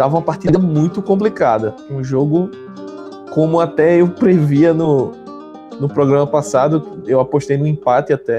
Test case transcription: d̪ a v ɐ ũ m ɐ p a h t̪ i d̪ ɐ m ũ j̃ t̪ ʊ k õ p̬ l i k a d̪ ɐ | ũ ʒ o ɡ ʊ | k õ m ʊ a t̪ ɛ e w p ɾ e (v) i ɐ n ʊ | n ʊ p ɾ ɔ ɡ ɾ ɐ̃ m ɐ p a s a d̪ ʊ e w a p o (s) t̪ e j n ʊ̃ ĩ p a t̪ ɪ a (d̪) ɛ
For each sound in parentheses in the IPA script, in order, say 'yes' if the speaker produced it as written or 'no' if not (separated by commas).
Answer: yes, no, no